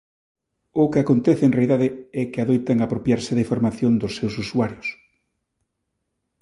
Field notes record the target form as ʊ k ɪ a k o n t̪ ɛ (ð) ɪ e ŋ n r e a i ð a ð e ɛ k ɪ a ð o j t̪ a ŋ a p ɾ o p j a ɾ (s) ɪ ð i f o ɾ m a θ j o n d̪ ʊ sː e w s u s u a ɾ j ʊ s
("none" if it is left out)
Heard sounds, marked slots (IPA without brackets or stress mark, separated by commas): θ, s